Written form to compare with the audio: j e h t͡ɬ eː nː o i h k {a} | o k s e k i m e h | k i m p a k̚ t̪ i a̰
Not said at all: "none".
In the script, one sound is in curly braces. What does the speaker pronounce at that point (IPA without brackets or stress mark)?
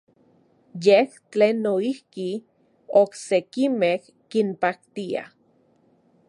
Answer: i